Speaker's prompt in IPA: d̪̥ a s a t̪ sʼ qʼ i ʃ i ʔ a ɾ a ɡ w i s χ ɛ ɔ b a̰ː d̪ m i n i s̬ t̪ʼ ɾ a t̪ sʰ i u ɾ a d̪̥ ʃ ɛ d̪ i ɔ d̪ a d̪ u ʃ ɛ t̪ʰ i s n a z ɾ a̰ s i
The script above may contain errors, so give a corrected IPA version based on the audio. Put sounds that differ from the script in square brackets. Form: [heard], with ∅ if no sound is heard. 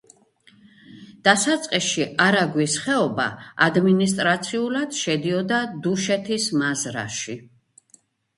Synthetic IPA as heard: d̪̥ a s a t̪ sʼ qʼ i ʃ i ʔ a ɾ a ɡ w i s χ ɛ ɔ b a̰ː d̪ m i n i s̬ t̪ʼ ɾ a t̪ sʰ i u [l] a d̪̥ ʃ ɛ d̪ i ɔ d̪ a d̪ u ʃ ɛ t̪ʰ i s [m] a z ɾ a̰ [ʃ] i